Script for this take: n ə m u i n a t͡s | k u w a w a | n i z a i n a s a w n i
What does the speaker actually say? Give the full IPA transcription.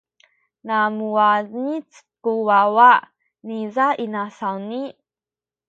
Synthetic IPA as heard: n a m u a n i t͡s | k u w a w a | n i z a i n a s a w n i